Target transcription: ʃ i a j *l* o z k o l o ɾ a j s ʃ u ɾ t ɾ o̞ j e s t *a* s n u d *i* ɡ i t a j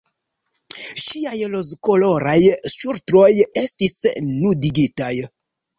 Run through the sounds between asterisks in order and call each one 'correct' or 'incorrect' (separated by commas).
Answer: correct, incorrect, correct